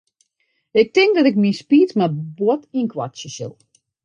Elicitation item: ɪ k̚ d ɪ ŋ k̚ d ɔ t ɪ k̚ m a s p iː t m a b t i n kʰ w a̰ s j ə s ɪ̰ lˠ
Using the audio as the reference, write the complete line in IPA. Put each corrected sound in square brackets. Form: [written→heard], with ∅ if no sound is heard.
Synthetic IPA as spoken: ɪ k̚ [d→t] ɪ ŋ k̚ d ɔ t ɪ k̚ m [a→i] s p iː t m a b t i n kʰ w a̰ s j ə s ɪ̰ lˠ

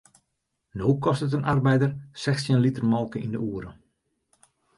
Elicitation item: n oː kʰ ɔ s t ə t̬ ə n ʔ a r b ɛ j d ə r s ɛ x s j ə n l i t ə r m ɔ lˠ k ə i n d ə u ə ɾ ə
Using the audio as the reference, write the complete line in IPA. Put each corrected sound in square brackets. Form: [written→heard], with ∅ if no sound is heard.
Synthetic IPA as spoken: n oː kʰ ɔ s t ə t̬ ə n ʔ a r b ɛ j d ə r s ɛ x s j ə n l i t ə r m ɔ lˠ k ə i n d ə u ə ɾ ə

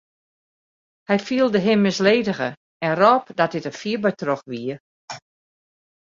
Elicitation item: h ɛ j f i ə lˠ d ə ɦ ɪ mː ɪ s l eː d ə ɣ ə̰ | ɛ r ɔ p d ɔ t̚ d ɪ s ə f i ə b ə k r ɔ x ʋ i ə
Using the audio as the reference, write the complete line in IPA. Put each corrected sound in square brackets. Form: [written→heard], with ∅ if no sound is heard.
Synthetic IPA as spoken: h ɛ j f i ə lˠ d ə ɦ ɪ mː ɪ s l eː d ə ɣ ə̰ | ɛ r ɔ p d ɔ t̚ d ɪ [s→t] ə f i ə b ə [k→t] r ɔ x ʋ i ə

